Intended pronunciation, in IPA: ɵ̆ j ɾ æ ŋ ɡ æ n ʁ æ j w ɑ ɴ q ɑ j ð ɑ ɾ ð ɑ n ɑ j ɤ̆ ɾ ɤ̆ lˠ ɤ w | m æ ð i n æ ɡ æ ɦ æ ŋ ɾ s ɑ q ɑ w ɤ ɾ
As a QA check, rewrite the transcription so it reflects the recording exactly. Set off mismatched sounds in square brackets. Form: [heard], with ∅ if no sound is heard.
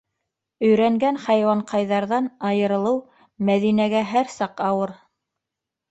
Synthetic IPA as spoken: ɵ̆ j ɾ æ ŋ ɡ æ n [χ] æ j w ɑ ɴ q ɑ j ð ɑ ɾ ð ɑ n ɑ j ɤ̆ ɾ ɤ̆ lˠ ɤ w | m æ ð i n æ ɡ æ ɦ æ [∅] ɾ s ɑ q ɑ w ɤ ɾ